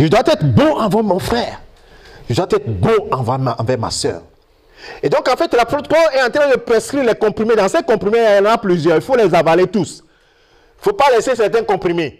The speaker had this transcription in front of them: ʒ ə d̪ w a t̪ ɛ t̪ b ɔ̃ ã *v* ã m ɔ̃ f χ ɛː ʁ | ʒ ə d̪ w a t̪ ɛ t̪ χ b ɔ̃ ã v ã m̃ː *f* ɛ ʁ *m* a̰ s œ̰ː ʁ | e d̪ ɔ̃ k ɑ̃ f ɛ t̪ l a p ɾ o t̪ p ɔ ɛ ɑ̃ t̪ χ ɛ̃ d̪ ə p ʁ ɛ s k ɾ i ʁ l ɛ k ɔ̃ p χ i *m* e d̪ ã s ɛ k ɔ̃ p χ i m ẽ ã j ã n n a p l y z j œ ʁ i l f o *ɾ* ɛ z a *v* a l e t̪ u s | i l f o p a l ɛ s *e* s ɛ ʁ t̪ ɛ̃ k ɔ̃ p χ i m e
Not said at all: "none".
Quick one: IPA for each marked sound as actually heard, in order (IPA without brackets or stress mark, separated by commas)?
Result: v, v, m, m, l, v, e